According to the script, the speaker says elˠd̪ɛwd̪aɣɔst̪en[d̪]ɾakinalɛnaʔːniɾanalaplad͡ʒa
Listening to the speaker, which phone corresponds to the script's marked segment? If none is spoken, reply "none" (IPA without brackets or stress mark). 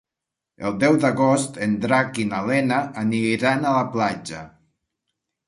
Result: d̪